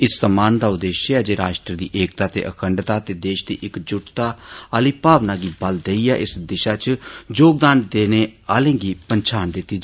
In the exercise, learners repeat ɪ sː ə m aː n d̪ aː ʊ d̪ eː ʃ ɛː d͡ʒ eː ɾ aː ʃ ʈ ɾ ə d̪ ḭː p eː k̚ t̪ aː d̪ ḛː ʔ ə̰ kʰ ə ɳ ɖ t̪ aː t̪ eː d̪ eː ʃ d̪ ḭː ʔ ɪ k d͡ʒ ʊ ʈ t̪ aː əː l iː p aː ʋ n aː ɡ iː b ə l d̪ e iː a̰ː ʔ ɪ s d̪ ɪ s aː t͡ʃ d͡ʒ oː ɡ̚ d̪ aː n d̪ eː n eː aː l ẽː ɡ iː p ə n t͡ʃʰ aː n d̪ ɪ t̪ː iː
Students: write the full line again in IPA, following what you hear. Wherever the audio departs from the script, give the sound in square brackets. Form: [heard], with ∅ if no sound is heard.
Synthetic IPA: ɪ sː ə m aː n d̪ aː ʊ d̪ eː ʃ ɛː d͡ʒ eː ɾ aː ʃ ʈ ɾ ə d̪ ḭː [ʔ] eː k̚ t̪ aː [t̪] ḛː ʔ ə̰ kʰ ə ɳ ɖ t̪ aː t̪ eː d̪ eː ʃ d̪ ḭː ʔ ɪ k d͡ʒ ʊ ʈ t̪ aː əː l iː p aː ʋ n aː ɡ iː b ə l d̪ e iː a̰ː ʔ ɪ s d̪ ɪ [ʃ] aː t͡ʃ d͡ʒ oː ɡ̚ d̪ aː n d̪ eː n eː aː l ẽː ɡ iː p ə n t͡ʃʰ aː n d̪ ɪ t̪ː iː